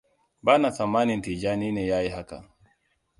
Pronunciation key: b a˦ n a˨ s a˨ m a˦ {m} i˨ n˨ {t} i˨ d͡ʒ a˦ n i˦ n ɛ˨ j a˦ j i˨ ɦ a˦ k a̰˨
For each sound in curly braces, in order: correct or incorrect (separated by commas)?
incorrect, correct